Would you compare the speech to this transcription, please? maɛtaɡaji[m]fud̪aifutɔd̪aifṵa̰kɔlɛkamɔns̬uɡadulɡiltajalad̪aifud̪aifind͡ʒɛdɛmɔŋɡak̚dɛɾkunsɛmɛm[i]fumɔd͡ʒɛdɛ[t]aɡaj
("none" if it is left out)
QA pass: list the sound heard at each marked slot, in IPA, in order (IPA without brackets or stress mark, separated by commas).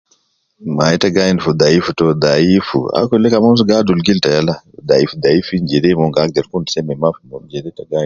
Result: n, a, t